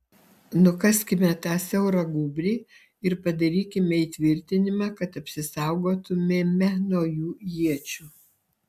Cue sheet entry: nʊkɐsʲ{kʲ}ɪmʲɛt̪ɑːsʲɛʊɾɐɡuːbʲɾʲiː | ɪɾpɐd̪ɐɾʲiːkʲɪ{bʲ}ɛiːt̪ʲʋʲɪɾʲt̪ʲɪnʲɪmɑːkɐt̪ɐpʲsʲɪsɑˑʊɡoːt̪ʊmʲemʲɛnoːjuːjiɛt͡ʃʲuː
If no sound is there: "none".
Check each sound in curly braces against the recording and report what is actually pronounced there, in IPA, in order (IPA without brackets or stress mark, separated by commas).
kʲ, mʲ